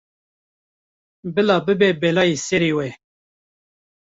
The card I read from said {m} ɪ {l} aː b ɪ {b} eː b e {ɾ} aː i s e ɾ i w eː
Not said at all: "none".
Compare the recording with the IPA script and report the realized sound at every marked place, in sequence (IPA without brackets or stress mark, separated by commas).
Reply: b, l, b, l